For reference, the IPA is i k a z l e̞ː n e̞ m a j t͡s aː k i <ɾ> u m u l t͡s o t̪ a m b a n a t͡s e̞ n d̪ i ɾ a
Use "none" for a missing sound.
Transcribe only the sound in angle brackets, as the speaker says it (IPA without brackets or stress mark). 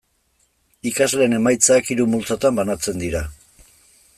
ɾ